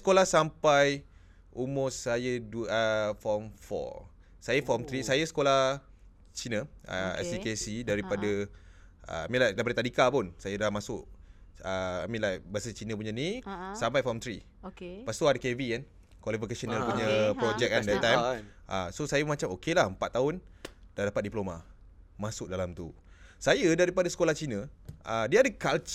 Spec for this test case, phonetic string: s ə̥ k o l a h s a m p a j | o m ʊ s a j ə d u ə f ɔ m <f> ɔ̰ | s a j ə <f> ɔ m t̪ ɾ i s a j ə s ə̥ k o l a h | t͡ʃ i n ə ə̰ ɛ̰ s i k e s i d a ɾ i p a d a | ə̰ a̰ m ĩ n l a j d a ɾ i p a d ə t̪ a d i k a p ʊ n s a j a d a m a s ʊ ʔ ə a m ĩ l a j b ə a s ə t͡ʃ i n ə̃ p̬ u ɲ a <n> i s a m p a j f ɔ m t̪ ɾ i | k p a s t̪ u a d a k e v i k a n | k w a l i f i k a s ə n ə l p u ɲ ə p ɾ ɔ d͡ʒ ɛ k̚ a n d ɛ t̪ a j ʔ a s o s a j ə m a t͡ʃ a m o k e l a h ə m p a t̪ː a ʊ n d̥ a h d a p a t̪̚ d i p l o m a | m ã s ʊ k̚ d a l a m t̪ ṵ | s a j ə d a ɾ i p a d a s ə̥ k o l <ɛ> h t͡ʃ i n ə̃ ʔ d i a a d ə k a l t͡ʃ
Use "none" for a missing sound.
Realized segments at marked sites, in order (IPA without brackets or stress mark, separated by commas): f, f, n, a